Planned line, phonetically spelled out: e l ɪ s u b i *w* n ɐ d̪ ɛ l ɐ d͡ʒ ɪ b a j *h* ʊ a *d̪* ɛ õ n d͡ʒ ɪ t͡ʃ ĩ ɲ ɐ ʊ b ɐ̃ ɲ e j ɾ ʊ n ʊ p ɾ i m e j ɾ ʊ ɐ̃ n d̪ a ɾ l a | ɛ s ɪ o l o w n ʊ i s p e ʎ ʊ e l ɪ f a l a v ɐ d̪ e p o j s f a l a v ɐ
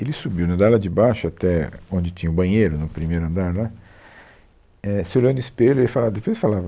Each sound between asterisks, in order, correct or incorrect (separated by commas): correct, incorrect, incorrect